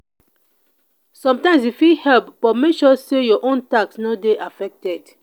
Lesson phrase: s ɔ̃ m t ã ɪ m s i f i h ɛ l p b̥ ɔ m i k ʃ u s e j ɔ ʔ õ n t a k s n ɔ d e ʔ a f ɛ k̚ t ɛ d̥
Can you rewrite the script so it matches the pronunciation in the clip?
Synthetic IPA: s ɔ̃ m t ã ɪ m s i f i h ɛ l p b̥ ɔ m e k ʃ ɔ s e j ɔ ʔ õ n t a k s n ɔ d e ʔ a f ɛ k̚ t ɛ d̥